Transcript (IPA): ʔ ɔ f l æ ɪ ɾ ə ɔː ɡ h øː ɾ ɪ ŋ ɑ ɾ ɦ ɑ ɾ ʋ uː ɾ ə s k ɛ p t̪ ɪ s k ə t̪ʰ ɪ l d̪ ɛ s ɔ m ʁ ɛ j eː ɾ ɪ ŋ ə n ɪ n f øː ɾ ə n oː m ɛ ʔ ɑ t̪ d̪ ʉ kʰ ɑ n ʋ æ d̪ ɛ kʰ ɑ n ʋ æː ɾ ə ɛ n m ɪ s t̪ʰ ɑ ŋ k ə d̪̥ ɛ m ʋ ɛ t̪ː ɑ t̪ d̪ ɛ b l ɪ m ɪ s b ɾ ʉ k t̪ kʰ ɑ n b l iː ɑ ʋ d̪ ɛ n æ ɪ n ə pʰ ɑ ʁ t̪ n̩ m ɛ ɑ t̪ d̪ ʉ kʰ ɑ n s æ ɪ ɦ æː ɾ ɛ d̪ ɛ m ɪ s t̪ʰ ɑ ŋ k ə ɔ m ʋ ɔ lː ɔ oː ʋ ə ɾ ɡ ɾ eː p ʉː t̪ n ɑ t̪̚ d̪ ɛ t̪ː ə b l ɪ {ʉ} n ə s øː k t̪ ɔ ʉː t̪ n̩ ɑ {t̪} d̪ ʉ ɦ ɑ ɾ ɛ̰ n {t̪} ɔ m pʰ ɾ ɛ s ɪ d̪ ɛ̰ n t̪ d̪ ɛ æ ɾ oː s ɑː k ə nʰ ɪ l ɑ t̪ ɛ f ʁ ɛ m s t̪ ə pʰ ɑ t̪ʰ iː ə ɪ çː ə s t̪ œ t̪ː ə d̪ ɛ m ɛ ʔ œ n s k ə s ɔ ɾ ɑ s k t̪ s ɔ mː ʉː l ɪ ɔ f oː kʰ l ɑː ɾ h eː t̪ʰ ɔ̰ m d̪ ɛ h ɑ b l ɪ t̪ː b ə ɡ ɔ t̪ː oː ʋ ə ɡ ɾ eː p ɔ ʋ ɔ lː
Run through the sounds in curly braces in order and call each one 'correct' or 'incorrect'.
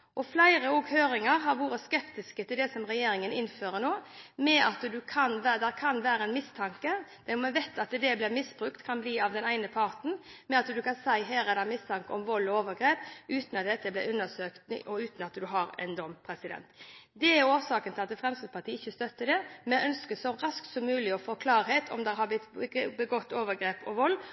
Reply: correct, correct, incorrect: d̪

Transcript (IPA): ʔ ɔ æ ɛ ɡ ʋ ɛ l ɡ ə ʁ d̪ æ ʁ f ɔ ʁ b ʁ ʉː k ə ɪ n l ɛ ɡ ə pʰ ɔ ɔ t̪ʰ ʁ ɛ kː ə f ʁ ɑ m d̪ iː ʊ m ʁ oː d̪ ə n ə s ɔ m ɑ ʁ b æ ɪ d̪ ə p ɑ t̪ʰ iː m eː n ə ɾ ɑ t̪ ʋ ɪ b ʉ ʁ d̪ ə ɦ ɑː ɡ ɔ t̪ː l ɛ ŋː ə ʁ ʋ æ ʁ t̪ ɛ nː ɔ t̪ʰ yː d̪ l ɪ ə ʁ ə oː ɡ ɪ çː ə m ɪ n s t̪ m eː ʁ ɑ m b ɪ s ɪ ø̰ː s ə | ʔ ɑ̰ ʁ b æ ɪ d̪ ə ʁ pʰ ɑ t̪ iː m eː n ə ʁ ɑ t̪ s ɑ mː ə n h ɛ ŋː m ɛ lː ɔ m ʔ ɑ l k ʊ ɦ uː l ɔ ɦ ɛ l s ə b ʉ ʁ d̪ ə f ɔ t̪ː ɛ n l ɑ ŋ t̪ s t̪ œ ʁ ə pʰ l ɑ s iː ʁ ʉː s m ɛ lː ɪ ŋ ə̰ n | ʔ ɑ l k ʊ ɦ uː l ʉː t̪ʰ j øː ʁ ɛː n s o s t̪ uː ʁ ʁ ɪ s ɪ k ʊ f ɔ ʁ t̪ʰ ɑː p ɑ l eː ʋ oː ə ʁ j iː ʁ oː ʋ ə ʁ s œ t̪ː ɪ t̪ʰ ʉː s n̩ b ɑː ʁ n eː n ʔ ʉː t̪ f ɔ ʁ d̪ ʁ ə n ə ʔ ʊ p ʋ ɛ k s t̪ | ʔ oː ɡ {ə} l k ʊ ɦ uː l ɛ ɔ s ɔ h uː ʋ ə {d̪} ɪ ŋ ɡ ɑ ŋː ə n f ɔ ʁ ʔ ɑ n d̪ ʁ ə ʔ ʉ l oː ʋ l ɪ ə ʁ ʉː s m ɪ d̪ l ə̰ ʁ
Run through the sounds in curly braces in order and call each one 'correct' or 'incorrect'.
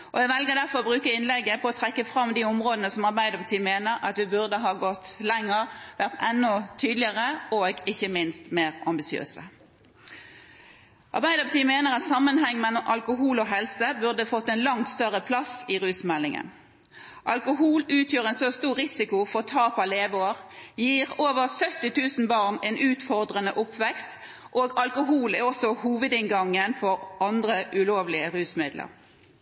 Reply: incorrect: ɑ, correct

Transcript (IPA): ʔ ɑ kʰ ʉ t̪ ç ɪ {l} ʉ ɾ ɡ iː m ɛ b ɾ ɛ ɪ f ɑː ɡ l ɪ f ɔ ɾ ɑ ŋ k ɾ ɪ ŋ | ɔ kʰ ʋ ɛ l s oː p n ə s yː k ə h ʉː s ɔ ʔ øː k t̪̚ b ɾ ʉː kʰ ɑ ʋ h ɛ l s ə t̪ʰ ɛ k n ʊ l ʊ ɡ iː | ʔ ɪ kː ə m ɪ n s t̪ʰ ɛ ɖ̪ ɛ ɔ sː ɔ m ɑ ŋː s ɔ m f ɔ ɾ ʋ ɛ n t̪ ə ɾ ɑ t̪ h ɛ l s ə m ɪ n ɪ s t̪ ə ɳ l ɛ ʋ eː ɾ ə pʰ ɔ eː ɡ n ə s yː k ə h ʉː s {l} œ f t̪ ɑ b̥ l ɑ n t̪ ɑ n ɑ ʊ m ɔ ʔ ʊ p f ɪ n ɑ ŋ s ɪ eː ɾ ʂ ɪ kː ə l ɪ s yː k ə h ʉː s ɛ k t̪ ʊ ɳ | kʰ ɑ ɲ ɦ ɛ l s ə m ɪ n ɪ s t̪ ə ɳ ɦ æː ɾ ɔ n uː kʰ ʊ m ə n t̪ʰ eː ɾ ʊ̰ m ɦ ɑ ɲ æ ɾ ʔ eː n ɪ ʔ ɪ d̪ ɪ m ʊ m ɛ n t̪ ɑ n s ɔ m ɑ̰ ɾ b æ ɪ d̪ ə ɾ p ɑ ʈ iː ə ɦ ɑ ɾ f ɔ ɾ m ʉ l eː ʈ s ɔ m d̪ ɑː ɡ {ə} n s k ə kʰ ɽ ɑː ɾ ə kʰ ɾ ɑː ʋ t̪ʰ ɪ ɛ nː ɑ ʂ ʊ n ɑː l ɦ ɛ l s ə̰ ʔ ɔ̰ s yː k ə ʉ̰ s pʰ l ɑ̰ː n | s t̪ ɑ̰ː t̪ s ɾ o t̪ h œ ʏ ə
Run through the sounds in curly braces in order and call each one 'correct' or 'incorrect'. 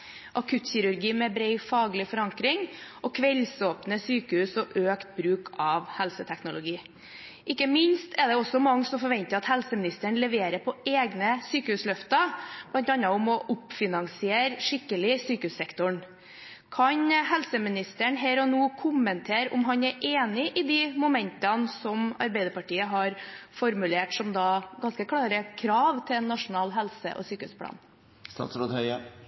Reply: incorrect: ɾ, correct, incorrect: ɑ

